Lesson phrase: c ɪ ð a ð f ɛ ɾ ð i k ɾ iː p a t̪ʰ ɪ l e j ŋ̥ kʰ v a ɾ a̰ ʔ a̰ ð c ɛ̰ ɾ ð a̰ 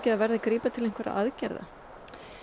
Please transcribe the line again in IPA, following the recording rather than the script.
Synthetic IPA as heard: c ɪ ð a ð v ɛ ɾ ð a k ɾ iː p a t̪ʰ ɪ l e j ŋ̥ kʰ v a ɾ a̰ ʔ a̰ ð c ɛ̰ ɾ ð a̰